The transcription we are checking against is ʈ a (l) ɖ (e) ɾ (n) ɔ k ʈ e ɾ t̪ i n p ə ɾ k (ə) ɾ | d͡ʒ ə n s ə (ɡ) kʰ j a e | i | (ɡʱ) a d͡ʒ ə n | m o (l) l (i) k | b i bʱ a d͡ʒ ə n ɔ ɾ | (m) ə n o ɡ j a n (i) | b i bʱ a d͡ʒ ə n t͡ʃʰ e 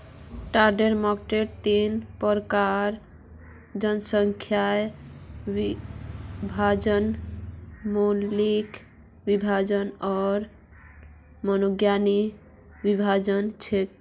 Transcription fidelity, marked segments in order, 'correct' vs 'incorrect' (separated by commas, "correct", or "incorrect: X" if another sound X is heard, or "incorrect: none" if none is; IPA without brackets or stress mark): incorrect: ɾ, correct, incorrect: m, incorrect: a, incorrect: ŋ, incorrect: bʱ, correct, correct, correct, correct